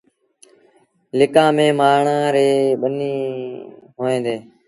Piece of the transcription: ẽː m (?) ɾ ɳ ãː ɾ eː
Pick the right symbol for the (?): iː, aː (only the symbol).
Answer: aː